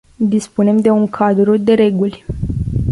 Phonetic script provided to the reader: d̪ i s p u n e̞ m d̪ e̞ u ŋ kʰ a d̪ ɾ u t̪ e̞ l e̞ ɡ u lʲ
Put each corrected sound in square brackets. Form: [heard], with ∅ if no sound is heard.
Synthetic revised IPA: d̪ i s p u n e̞ m d̪ e̞ u ŋ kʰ a d̪ ɾ u [d̪] e̞ [ɾ] e̞ ɡ u lʲ

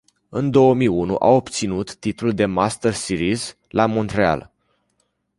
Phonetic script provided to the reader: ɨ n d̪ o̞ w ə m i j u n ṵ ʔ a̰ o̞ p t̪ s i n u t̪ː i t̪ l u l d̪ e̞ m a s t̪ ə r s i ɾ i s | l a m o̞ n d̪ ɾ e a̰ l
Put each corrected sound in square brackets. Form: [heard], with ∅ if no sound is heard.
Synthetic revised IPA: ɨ n d̪ o̞ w ə m i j u n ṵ ʔ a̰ o̞ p t̪ s i n u t̪ː i t̪ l u l d̪ e̞ m a s t̪ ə r s i ɾ i [z] | l a m o̞ n [t̪] ɾ e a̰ l

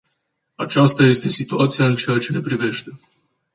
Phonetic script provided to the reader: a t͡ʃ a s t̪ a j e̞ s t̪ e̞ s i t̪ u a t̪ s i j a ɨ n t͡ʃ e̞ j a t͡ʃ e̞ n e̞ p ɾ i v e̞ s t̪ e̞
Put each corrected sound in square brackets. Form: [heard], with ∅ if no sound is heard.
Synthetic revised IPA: a t͡ʃ a s t̪ a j e̞ s t̪ e̞ s i t̪ u a t̪ s i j a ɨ n t͡ʃ e̞ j a t͡ʃ e̞ n e̞ p ɾ i v e̞ [ʃ] t̪ e̞

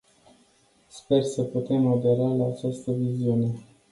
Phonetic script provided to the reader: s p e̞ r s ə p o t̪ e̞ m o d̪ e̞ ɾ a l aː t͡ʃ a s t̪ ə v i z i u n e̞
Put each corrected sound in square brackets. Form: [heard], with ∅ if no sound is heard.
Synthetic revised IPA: s p e̞ r s ə p [u] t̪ e̞ m o d̪ e̞ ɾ a l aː t͡ʃ a s t̪ ə v i z i u n e̞

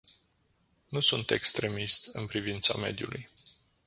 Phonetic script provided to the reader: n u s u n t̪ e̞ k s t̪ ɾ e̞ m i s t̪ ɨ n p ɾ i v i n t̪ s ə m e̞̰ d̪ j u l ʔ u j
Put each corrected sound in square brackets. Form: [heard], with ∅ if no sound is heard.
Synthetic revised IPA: n u s u n t̪ e̞ k s t̪ ɾ e̞ m i s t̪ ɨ n p ɾ i v i n t̪ s [a] m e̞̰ d̪ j u l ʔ u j

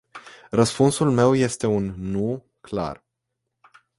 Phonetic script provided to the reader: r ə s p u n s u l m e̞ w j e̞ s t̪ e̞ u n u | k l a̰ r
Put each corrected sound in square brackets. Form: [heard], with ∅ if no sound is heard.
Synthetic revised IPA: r ə s p u n s u l m e̞ w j e̞ s t̪ e̞ u [nː] u | k l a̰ r

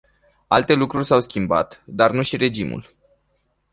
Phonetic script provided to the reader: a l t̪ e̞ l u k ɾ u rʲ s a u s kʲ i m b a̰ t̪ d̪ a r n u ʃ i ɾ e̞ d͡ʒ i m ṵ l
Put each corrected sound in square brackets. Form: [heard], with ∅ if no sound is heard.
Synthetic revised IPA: a l t̪ e̞ l u k ɾ u rʲ s a [w] s kʲ i m b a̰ t̪ d̪ a r n u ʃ i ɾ e̞ d͡ʒ i m ṵ l

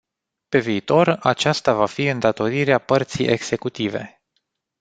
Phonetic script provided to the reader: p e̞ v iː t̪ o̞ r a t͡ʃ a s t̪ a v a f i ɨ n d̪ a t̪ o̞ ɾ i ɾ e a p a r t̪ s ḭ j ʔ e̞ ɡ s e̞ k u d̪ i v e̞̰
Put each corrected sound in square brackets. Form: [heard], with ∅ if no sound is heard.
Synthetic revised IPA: p e̞ v iː t̪ o̞ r a t͡ʃ a s t̪ a v a f i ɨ n d̪ a t̪ o̞ ɾ i ɾ e a p [ə] r t̪ s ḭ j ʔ e̞ ɡ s e̞ k u [t̪] i v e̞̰

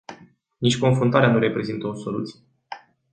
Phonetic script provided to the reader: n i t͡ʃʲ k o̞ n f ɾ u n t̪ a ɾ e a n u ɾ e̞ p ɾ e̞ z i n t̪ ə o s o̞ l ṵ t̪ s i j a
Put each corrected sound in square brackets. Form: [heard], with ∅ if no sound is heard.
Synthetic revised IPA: n i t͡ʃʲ k o̞ n f ɾ u n t̪ a ɾ e a n u ɾ e̞ p ɾ e̞ z i n t̪ ə o s o̞ l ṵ t̪ s i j [e]

